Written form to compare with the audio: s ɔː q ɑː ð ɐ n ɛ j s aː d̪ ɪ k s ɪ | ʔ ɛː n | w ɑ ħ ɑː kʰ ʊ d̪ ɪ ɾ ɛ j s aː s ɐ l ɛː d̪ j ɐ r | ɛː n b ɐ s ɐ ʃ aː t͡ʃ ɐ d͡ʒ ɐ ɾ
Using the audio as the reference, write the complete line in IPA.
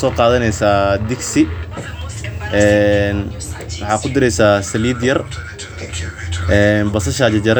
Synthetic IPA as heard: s ɔː q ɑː ð ɐ n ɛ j s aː d̪ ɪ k s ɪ | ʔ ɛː n | w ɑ ħ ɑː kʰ ʊ d̪ ɪ ɾ ɛ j s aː s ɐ l iː d̪ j ɐ r | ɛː n b ɐ s ɐ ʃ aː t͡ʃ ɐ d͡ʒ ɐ ɾ